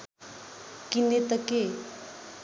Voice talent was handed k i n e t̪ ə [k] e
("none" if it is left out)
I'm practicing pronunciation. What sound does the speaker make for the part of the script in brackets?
k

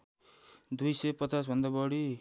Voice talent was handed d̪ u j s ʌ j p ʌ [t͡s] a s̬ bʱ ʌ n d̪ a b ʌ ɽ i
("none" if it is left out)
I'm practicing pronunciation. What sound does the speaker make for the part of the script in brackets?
t͡s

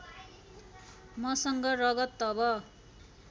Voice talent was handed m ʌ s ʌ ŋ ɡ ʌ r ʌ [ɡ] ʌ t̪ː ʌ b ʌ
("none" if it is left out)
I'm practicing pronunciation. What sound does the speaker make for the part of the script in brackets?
ɡ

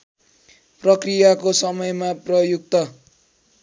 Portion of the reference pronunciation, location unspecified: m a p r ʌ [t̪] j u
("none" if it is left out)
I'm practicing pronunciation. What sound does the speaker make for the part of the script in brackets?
none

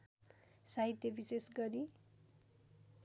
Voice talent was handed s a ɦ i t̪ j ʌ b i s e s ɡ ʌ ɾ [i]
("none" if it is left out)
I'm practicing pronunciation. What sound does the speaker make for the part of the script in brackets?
i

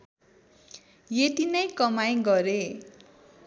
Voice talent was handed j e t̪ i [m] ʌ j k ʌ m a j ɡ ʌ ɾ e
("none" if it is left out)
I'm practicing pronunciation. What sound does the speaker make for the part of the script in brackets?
n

